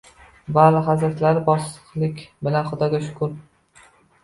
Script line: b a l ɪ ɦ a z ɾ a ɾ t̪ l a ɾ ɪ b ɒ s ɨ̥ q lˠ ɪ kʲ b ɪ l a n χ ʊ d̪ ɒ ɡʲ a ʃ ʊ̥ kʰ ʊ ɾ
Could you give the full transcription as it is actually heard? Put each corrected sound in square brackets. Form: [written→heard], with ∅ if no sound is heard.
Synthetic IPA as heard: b a l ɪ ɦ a z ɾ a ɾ t̪ l a ɾ ɪ b ɒ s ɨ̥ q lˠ ɪ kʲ b ɪ l a n χ ʊ d̪ ɒ ɡʲ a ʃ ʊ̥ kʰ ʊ ɾ

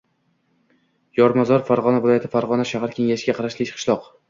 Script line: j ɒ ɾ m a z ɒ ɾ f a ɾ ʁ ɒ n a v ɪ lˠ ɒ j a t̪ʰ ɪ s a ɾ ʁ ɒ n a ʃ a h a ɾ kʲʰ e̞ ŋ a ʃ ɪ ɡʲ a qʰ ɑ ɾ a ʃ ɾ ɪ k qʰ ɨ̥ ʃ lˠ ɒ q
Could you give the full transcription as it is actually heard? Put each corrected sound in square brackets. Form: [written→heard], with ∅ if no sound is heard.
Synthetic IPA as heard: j ɒ ɾ m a z ɒ ɾ f a ɾ ʁ ɒ n a v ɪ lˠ ɒ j a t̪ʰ ɪ [s→f] a ɾ ʁ ɒ n a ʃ a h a ɾ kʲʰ e̞ ŋ a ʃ ɪ ɡʲ a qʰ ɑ ɾ a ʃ [ɾ→l] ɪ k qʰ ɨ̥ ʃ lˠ ɒ q

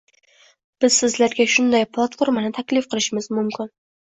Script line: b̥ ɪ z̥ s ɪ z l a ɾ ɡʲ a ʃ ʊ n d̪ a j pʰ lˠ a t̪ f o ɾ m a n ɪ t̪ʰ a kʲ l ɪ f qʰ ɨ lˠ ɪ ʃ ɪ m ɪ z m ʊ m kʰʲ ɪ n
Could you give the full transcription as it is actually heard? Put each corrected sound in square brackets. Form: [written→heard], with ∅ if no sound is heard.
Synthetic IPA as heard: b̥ ɪ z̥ s ɪ z l a ɾ ɡʲ a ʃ ʊ n d̪ a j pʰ lˠ a t̪ f o ɾ m a n ɪ t̪ʰ a kʲ l ɪ f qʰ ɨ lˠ ɪ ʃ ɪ m ɪ z m ʊ m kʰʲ ɪ n

